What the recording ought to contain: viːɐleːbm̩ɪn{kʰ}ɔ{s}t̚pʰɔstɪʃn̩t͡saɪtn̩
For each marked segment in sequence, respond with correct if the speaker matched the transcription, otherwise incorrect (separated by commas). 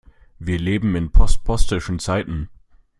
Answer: incorrect, correct